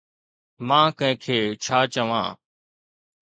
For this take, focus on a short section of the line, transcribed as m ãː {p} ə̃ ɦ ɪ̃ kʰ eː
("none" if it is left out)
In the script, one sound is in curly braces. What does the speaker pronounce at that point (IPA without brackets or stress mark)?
k